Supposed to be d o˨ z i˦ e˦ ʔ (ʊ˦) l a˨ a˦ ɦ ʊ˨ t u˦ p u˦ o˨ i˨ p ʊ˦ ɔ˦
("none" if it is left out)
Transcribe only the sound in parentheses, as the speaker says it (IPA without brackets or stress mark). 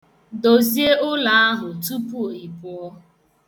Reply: ʊ˦